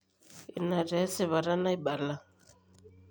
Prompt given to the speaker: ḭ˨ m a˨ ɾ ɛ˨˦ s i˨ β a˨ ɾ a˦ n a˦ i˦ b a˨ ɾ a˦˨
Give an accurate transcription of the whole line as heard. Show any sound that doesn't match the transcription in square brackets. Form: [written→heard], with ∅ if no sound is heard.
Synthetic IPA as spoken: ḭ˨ [m→n] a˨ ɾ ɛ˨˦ s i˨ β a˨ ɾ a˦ n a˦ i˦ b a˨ [ɾ→l] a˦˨